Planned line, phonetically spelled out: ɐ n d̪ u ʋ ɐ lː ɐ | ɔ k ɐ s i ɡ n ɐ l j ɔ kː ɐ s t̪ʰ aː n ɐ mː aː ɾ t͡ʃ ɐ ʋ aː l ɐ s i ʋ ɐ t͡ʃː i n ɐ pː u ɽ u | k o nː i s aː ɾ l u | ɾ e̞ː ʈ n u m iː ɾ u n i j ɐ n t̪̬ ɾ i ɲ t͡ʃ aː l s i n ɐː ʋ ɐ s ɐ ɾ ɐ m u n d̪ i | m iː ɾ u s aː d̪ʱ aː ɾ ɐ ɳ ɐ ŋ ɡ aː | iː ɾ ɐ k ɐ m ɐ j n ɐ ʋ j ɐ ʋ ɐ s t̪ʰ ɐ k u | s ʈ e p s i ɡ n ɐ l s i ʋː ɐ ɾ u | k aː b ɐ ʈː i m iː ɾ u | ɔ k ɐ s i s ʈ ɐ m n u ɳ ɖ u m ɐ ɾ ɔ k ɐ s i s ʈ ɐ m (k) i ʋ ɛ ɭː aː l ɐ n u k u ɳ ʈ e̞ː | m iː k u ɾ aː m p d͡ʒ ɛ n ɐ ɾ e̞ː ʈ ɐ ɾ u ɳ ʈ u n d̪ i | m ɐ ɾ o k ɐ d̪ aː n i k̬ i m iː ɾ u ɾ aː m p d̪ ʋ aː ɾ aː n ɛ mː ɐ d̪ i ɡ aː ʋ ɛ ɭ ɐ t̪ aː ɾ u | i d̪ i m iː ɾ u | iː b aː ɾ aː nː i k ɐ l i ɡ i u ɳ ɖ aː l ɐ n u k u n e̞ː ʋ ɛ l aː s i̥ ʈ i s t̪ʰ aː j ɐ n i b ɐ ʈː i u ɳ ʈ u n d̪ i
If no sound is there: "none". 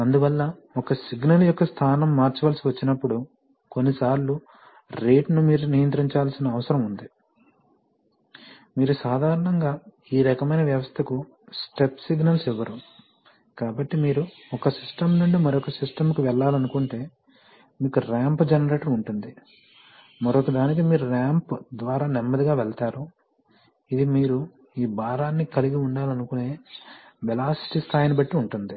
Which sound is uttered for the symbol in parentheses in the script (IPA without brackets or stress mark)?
k